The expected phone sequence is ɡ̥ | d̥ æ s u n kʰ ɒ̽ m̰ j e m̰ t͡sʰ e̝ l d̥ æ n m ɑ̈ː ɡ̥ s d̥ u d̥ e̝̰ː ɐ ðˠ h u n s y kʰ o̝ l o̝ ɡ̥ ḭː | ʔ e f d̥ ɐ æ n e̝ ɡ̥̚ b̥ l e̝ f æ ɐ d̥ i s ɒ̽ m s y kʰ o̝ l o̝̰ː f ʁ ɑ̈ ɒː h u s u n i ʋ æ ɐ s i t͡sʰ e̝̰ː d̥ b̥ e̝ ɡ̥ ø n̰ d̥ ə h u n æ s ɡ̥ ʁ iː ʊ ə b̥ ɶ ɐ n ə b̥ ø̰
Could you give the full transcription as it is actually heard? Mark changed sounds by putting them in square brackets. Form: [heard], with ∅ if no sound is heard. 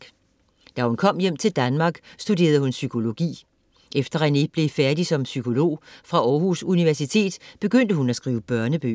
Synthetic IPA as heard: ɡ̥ | d̥ æ [h] u n kʰ ɒ̽ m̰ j e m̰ t͡sʰ e̝ l d̥ æ n m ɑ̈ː ɡ̥ s d̥ u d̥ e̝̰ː ɐ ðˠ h u n s y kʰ o̝ l o̝ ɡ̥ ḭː | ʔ e f d̥ ɐ æ n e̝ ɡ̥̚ b̥ l e̝ f æ ɐ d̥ i s ɒ̽ m s y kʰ o̝ l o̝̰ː f ʁ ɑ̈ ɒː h u s u n i ʋ æ ɐ s i t͡sʰ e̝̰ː d̥ b̥ e̝ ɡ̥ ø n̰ d̥ ə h u n æ s ɡ̥ ʁ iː ʊ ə b̥ ɶ ɐ n ə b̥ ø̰